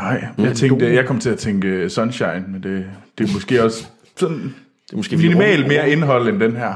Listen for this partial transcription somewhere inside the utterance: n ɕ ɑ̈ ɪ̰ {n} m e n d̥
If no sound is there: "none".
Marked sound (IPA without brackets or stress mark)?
n